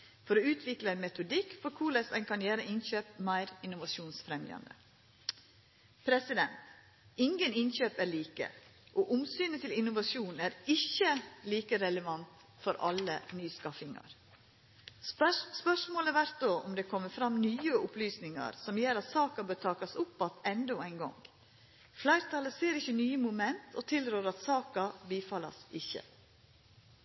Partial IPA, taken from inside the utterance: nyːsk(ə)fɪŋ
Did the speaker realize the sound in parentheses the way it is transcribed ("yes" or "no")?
no